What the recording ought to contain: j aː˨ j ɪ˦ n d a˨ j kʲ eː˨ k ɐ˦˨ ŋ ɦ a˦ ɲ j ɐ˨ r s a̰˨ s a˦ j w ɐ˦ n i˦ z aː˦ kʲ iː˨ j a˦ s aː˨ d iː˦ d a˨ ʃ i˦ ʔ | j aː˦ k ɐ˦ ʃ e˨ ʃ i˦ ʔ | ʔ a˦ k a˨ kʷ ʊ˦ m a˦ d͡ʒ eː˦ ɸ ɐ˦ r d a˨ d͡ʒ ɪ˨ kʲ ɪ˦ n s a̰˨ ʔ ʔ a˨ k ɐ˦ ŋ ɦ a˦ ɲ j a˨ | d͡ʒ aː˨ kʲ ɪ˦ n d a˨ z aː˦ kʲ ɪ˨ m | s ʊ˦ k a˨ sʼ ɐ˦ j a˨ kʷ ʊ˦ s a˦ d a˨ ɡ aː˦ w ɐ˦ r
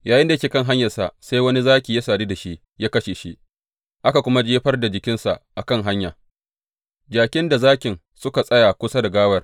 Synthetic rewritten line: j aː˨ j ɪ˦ n d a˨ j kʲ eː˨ k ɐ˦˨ ŋ ɦ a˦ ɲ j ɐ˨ r s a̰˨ s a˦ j w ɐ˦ n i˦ z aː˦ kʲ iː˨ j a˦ s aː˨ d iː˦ d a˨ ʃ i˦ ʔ | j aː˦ k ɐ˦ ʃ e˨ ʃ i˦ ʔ | ʔ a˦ k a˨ kʷ ʊ˦ m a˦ d͡ʒ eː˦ ɸ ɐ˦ r d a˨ d͡ʒ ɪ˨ kʲ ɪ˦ n s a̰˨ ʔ ʔ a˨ k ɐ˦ ŋ ɦ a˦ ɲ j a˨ | d͡ʒ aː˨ kʲ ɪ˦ n d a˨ z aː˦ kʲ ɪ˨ n | s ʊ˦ k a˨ sʼ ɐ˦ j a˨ kʷ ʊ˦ s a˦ d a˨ ɡ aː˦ w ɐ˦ r

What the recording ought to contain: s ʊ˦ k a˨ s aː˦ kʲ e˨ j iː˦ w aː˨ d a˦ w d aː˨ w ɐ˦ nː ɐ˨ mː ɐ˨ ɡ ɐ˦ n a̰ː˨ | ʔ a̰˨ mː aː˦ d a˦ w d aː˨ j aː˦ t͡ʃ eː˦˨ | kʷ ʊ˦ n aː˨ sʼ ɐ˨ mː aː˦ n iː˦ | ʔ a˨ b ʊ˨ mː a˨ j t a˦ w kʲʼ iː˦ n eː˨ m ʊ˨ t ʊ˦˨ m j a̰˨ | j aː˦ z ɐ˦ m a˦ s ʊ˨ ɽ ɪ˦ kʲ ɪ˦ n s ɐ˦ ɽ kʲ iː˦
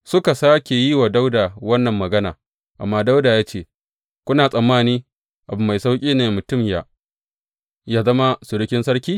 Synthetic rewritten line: s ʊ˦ k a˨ s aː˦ kʲ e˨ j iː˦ w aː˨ d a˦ w d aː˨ w ɐ˦ nː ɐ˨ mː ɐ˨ ɡ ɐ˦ n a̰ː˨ | ʔ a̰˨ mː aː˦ d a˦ w d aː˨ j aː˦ t͡ʃ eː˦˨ | kʷ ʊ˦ n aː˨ sʼ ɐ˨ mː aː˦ n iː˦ | ʔ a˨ b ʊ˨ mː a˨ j s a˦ w kʲʼ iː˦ n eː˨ m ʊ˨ t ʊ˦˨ m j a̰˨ | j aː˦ z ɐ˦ m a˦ s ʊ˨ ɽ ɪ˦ kʲ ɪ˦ n s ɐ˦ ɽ kʲ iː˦

